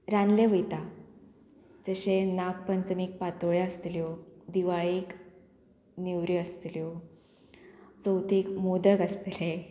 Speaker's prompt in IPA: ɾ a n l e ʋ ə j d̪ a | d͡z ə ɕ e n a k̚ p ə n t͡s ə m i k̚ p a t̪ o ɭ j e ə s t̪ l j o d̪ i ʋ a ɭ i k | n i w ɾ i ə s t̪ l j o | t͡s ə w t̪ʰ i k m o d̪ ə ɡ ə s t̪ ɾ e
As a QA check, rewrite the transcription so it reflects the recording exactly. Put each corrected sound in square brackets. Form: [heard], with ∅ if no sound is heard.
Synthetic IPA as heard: ɾ a n l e ʋ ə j [t̪] a | d͡z ə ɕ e n a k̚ p ə n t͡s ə m i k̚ p a t̪ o ɭ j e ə s t̪ l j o d̪ i ʋ a ɭ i k | n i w ɾ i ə s t̪ l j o | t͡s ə w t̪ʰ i k m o d̪ ə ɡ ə s t̪ [l] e